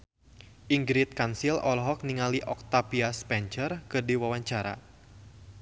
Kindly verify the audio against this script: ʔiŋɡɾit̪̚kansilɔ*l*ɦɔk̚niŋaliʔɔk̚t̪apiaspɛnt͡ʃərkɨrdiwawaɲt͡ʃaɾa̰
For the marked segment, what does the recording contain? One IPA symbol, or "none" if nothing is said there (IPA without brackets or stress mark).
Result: l